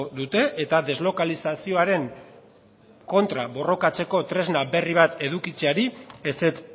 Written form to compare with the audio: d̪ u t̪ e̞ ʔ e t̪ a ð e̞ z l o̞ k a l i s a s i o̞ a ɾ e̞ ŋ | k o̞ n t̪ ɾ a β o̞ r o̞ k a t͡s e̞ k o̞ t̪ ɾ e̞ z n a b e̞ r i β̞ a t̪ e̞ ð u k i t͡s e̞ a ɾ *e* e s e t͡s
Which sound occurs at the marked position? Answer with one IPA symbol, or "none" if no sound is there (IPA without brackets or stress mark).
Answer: i